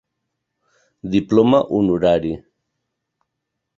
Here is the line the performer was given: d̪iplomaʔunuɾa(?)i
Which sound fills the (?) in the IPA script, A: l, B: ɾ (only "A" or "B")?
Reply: B